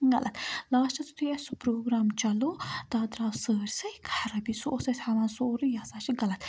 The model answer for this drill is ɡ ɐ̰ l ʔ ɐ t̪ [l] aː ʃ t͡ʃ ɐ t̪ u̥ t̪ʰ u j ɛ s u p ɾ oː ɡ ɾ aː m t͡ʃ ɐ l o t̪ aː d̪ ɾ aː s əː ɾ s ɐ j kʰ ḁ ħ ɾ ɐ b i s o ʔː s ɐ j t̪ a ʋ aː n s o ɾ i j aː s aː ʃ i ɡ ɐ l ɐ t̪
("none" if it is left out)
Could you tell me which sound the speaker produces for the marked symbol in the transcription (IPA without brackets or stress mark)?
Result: l